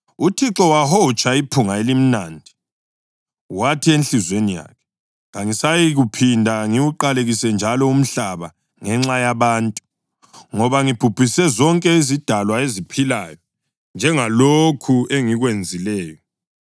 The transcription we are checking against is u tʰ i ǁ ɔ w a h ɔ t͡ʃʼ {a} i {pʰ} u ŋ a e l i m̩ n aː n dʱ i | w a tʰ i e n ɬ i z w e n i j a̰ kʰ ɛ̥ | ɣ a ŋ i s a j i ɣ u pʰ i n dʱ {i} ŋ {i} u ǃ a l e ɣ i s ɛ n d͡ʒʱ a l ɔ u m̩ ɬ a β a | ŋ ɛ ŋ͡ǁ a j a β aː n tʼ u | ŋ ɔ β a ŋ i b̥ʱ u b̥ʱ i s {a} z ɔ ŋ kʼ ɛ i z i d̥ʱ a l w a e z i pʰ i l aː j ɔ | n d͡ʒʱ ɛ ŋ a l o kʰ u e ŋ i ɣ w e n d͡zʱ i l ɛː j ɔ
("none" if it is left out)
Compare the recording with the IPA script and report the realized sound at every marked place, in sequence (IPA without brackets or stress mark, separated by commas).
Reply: a, pʰ, a, i, ɛ